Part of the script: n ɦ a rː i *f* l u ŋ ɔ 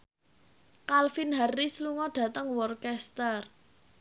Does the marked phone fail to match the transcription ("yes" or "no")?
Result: yes